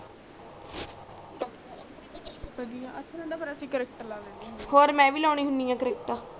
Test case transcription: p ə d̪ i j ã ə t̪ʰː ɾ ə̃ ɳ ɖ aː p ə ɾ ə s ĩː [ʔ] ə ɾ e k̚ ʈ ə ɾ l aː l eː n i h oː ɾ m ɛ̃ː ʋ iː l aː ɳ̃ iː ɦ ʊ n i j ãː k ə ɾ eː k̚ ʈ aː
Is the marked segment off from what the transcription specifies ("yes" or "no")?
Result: yes